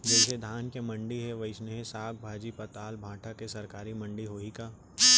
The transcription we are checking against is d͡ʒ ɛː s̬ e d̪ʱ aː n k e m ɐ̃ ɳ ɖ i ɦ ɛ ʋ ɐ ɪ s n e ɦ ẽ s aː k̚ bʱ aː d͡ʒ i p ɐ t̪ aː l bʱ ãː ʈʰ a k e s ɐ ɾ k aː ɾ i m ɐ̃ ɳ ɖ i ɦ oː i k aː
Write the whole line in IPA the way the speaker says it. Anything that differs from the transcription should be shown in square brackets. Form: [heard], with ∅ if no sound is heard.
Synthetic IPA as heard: d͡ʒ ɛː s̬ e d̪ʱ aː n k e m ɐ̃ ɳ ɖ i ɦ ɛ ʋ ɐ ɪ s n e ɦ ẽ s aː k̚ bʱ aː d͡ʒ i p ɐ t̪ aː l bʱ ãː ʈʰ a k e s ɐ ɾ k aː ɾ i m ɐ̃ ɳ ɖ i ɦ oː i k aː